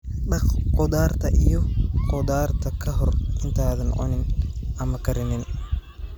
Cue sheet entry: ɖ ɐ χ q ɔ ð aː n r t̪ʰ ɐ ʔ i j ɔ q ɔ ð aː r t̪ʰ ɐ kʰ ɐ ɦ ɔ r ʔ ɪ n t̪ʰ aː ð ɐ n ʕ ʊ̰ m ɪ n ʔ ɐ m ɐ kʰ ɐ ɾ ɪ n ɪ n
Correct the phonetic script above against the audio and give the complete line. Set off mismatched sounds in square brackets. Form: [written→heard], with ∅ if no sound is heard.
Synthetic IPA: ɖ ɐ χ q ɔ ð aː [n→∅] r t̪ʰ ɐ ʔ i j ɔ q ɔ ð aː r t̪ʰ ɐ kʰ ɐ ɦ ɔ r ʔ ɪ n t̪ʰ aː ð ɐ n ʕ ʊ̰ [m→n] ɪ n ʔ ɐ m ɐ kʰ ɐ ɾ ɪ n ɪ n